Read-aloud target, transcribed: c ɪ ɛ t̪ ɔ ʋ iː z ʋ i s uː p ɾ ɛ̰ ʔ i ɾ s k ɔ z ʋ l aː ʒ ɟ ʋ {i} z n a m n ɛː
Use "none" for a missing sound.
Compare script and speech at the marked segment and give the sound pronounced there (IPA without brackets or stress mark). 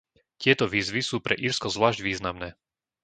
iː